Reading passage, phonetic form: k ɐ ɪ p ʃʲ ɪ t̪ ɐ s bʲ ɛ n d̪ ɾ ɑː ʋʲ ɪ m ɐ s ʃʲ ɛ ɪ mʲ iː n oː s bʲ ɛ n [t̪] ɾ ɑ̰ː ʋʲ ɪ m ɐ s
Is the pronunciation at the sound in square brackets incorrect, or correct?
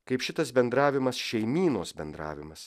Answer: incorrect